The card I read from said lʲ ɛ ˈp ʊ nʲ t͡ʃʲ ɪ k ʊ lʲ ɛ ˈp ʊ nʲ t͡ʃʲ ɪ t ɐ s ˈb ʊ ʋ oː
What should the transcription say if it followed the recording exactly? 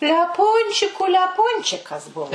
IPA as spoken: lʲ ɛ ˈp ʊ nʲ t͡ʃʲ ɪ k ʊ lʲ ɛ ˈp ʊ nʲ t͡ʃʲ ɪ k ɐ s ˈb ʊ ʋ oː